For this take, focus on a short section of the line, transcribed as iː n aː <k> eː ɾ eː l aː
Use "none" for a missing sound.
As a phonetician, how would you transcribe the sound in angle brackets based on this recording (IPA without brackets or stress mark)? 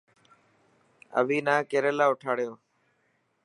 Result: k